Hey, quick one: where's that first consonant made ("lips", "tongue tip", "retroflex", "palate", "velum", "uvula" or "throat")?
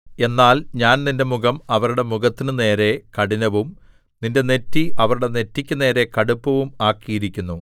tongue tip